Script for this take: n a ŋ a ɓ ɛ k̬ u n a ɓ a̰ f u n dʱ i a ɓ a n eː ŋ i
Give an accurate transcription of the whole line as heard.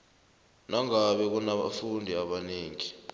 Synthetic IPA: n a ŋ a ɓ ɛ k̬ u n a ɓ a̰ f u n dʱ i a ɓ a n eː ŋ i